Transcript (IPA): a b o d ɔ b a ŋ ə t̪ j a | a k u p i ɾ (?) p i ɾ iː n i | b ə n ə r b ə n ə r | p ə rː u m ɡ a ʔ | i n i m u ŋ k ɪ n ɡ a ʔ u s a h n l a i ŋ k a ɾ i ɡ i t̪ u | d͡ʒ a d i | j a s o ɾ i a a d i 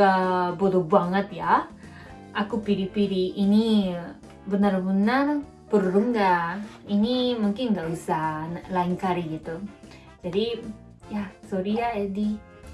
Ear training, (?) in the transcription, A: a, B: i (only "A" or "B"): B